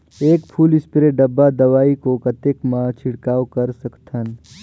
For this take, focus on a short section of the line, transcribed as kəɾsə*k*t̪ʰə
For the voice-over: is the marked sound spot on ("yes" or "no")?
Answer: yes